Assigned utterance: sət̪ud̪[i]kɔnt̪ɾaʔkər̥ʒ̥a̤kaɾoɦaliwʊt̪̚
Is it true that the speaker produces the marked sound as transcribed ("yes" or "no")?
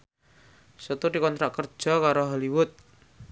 yes